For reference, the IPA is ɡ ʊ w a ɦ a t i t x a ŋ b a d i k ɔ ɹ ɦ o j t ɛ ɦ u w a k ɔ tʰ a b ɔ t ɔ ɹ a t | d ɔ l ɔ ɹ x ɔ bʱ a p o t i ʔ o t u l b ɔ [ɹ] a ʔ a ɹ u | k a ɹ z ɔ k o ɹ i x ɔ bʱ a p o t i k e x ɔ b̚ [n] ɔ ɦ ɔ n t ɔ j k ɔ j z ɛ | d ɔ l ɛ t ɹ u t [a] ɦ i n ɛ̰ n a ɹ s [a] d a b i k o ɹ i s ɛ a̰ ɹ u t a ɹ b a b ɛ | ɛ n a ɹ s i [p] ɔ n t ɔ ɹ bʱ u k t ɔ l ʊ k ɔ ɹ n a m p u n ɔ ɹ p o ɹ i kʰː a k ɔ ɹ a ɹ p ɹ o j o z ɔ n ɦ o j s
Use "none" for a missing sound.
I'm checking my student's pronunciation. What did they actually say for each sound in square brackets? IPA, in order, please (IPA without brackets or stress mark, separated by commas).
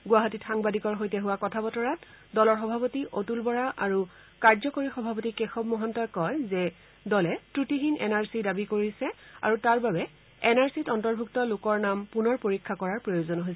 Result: ɹ, m, i, i, t